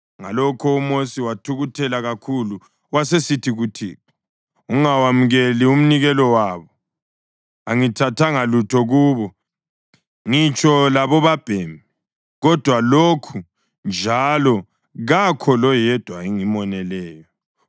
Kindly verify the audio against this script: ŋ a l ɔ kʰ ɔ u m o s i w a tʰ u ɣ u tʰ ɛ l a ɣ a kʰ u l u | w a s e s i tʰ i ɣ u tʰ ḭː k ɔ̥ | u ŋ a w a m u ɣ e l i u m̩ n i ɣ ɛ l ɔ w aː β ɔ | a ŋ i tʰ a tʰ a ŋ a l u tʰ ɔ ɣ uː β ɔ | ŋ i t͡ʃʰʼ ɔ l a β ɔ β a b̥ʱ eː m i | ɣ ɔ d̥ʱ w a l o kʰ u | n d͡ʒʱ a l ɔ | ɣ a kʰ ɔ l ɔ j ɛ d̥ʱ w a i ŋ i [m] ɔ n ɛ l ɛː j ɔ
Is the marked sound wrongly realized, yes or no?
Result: no